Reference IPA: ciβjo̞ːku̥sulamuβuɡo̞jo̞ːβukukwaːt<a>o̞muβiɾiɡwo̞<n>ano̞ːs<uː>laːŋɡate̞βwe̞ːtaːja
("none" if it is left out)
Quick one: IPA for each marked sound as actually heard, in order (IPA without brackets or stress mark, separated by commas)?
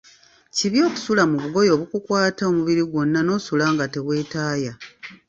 a, nː, u